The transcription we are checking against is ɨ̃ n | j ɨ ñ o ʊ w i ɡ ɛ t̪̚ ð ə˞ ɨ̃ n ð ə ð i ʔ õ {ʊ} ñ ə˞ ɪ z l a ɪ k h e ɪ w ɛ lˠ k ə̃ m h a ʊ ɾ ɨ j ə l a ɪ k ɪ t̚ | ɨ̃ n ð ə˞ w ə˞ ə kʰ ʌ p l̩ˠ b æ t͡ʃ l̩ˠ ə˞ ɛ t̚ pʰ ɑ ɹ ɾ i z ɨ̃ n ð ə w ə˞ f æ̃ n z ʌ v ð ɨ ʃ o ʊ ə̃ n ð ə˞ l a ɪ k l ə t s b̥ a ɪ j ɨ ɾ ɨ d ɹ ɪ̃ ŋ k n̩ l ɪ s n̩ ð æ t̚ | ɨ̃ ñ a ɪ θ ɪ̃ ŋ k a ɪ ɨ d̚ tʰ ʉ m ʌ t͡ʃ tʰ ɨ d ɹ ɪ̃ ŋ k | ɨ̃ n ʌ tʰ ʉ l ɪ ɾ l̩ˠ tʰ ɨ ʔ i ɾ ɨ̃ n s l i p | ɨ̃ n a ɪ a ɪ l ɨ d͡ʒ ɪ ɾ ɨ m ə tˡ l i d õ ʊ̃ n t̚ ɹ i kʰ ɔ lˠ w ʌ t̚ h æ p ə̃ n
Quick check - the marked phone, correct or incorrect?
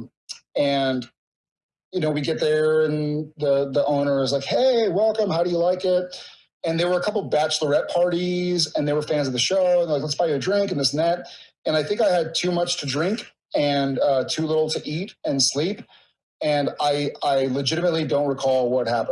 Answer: incorrect